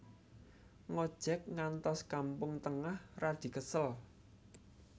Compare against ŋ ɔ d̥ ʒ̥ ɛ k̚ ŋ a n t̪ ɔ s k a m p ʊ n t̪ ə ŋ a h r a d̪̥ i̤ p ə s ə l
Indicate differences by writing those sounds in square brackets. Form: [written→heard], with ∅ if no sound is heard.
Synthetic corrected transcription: ŋ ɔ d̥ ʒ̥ ɛ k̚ ŋ a n t̪ ɔ s k a m p ʊ [n→ŋ] t̪ ə ŋ a h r a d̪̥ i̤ [p→k] ə s ə l